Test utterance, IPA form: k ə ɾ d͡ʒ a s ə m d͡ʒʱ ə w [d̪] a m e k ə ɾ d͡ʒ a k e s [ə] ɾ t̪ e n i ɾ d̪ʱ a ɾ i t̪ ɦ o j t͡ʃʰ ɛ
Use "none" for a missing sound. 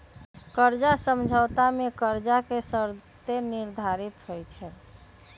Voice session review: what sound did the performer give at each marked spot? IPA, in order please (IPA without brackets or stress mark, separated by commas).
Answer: t̪, ə